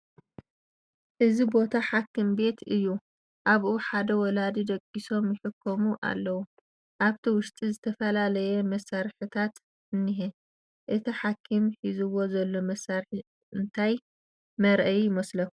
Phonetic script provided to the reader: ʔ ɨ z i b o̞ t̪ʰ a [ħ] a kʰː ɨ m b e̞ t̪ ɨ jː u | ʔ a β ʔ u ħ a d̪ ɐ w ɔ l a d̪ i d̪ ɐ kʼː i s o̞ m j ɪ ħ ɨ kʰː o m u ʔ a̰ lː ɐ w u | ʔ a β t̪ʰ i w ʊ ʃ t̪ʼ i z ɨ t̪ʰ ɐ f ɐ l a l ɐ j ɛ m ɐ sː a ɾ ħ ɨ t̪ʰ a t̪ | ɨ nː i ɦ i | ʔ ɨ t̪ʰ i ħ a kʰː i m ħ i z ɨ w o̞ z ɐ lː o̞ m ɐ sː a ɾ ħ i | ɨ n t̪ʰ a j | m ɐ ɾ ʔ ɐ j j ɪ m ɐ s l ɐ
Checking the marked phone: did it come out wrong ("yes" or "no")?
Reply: no